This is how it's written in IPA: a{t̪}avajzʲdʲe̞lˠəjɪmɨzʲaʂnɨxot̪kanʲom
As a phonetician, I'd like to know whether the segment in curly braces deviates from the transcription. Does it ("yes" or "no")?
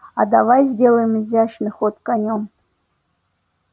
yes